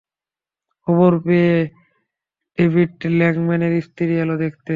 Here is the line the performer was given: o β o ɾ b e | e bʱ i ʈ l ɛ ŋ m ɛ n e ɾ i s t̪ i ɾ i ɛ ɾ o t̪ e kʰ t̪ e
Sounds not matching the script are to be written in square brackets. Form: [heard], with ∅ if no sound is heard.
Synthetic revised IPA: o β o ɾ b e | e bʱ i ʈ l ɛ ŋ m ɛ n e ɾ i s t̪ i ɾ i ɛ [l] o [d̪] e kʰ t̪ e